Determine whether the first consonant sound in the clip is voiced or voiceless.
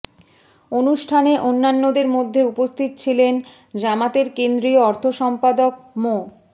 voiced